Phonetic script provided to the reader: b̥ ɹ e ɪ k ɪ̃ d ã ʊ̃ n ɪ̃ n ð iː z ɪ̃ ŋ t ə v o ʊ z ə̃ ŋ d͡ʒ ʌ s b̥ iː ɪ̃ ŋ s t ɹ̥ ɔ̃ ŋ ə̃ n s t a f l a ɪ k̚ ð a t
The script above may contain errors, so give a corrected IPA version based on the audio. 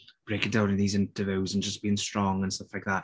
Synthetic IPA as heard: b̥ ɹ e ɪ k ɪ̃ d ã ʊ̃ n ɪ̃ n ð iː z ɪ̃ n t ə v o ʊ z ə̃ n d͡ʒ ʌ s b̥ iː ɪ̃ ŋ s t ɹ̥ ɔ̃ ŋ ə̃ n s t ʌ f l a ɪ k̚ ð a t